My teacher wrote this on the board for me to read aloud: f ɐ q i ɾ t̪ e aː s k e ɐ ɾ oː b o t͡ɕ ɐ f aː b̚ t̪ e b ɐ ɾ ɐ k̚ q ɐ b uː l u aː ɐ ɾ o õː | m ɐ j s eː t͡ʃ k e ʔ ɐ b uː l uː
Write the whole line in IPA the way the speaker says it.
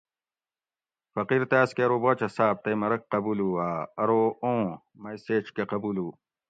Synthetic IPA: f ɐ q i ɾ t̪ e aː s k e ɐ ɾ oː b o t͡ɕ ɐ s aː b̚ t̪ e m ɐ ɾ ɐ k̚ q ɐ b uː l u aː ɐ ɾ o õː | m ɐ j s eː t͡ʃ k e q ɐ b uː l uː

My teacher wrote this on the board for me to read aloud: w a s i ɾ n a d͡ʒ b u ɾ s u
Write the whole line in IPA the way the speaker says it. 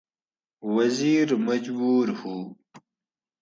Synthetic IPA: w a z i ɾ m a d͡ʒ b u ɾ h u

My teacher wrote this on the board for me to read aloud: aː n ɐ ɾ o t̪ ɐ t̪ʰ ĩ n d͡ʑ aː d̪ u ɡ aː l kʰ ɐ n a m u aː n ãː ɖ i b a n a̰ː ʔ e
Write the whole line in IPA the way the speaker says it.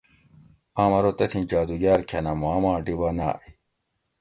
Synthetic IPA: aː m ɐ ɾ o t̪ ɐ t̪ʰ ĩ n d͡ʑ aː d̪ u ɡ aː ɾ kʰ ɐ n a m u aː m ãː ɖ i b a n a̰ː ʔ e

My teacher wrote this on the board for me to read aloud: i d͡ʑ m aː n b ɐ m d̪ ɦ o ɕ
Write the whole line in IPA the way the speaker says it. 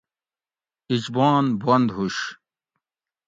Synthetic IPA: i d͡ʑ b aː n b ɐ n d̪ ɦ u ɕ

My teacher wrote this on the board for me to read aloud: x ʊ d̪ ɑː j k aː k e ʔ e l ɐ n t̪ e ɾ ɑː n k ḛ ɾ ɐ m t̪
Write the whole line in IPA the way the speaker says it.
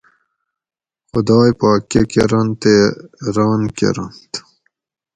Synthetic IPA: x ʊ d̪ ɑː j p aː k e k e ɾ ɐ n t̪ e ɾ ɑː n k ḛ ɾ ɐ n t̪

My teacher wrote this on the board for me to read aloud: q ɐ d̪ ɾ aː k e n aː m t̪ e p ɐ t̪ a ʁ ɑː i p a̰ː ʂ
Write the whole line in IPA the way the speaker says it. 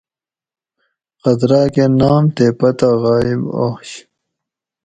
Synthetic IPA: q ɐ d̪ ɾ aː k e n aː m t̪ e p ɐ t̪ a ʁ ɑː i b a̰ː ɕ

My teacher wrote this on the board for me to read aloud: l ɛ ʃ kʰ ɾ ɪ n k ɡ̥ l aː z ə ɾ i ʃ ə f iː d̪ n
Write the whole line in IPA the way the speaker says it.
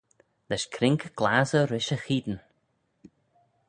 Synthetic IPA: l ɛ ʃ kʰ ɾ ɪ ŋ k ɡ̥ l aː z ə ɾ ɪ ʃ ə x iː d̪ n

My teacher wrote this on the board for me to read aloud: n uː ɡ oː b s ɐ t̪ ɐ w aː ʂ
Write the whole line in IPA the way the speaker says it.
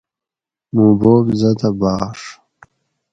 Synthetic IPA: m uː b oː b z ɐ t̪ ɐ b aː ʂ

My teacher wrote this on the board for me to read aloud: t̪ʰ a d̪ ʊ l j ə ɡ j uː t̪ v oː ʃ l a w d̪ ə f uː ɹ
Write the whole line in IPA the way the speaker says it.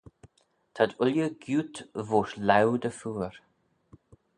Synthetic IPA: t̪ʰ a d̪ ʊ l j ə ɡ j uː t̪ v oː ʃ l a w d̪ ə f uː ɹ

